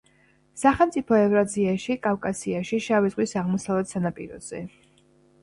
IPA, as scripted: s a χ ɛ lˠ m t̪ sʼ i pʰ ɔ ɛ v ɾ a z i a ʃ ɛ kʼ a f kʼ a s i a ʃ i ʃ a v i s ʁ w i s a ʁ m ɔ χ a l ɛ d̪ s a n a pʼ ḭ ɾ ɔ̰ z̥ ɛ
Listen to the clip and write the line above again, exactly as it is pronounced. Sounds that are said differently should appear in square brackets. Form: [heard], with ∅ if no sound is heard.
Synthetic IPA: s a χ ɛ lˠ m t̪ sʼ i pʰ ɔ ɛ v ɾ a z i a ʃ [i] kʼ a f kʼ a s i a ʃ i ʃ a v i [z] ʁ w i s a ʁ m ɔ [s] a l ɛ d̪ s a n a pʼ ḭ ɾ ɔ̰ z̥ ɛ